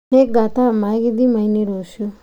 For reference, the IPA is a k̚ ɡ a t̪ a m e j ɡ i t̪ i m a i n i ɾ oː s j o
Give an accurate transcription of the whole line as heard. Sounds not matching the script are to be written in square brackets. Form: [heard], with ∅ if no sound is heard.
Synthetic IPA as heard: [e] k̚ ɡ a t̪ a m [a] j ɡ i [d̪] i m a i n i ɾ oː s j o